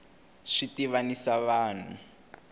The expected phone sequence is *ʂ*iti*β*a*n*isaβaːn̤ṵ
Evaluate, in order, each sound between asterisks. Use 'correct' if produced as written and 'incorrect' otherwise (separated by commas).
correct, correct, correct